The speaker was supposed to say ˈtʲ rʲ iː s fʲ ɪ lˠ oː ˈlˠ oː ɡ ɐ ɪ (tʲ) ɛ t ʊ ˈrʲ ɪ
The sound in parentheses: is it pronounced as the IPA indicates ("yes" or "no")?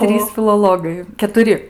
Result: no